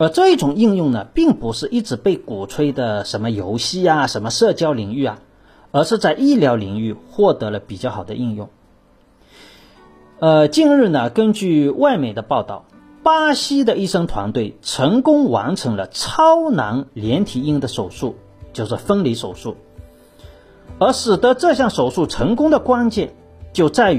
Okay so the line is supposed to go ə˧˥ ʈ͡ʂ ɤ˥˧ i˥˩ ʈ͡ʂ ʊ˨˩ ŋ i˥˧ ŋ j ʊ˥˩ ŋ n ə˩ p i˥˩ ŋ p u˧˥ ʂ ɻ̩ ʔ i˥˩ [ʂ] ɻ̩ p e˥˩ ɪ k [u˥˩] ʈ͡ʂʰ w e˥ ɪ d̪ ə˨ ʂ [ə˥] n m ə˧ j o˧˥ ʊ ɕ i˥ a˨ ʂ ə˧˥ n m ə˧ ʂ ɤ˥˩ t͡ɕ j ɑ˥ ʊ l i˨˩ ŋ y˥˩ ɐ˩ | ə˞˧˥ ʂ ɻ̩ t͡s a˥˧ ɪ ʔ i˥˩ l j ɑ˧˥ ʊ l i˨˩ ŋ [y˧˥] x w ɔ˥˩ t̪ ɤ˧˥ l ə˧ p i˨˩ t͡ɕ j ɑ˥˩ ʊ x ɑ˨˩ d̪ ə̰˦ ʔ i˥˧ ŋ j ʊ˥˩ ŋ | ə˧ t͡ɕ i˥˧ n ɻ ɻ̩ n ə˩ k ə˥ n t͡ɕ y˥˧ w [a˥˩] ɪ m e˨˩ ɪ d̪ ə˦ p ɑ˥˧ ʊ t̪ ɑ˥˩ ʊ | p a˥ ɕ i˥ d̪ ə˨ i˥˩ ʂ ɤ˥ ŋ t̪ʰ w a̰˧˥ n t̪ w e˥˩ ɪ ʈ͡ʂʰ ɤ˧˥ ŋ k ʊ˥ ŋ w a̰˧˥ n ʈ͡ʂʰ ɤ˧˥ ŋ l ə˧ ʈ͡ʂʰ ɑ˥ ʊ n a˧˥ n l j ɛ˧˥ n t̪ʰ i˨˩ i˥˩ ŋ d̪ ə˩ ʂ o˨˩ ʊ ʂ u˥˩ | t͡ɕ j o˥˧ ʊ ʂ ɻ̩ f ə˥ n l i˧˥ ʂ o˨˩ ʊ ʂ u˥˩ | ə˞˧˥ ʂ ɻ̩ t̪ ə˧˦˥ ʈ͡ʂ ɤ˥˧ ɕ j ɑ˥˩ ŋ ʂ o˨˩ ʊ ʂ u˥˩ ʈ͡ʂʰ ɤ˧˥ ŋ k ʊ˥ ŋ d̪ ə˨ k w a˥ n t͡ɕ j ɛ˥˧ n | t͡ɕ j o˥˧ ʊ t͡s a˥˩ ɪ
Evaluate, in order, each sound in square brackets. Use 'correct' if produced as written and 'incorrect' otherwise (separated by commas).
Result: incorrect, incorrect, incorrect, incorrect, correct